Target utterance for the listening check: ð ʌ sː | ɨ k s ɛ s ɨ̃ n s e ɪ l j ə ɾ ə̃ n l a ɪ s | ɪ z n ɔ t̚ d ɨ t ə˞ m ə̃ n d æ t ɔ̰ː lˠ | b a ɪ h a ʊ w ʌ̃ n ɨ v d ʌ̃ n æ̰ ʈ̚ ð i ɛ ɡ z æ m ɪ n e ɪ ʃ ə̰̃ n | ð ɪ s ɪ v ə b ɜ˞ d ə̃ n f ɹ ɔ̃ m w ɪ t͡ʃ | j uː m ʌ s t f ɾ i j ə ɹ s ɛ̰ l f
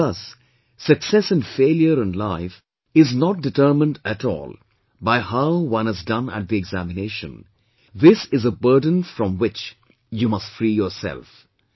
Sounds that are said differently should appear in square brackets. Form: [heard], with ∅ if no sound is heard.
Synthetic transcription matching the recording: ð ʌ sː | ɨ k s ɛ s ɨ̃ n [f] e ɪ l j ə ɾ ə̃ n l a ɪ [f] | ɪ z n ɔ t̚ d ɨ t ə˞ m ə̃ n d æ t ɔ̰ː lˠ | b a ɪ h a ʊ w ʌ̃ n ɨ [z] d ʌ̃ n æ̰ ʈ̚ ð i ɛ ɡ z æ m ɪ n e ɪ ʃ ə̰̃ n | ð ɪ s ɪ [z] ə b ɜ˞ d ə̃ n f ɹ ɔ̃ m w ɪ t͡ʃ | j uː m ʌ s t f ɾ i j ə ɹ s ɛ̰ l f